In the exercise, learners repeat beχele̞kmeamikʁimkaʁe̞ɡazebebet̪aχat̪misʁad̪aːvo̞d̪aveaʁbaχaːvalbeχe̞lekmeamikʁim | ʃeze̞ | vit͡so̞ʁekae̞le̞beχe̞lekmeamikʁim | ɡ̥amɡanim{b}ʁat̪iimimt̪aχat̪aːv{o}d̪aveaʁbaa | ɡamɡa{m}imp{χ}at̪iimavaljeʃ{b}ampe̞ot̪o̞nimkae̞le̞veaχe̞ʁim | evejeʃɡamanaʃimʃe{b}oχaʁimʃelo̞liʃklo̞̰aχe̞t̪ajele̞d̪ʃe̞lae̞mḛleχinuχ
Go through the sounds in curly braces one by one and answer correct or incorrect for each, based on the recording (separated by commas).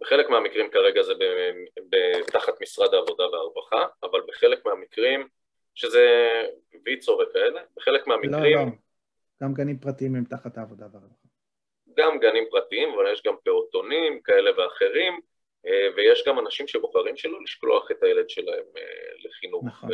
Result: incorrect, correct, incorrect, incorrect, incorrect, correct